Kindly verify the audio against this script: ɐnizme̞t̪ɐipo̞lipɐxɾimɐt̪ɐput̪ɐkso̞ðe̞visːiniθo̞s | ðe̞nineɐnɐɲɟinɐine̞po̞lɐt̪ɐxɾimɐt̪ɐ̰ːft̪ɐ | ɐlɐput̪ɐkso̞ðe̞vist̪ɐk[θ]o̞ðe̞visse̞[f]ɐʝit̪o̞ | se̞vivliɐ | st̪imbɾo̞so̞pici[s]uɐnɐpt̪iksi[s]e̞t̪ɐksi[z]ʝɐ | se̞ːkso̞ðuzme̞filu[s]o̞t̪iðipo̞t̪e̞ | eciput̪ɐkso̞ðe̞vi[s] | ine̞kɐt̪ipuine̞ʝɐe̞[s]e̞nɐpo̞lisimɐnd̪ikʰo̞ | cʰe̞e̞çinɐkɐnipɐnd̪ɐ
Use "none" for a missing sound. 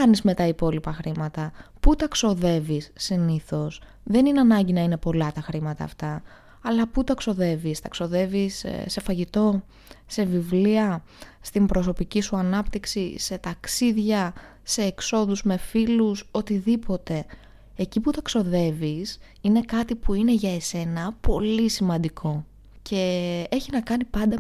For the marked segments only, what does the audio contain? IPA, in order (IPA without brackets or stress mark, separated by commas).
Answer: s, f, s, s, ð, s, s, s